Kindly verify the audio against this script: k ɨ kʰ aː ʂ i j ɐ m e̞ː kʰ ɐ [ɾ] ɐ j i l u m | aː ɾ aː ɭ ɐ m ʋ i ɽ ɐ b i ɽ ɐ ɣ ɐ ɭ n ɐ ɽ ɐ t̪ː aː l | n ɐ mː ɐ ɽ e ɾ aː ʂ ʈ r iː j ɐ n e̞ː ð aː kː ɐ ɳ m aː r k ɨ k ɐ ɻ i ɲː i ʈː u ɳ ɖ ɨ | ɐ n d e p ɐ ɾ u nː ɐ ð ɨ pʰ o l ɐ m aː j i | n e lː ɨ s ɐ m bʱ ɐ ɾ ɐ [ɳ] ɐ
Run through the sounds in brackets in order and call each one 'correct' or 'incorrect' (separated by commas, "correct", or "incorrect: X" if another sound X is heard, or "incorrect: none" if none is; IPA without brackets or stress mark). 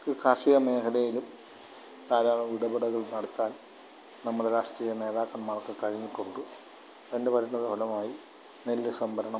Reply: incorrect: l, correct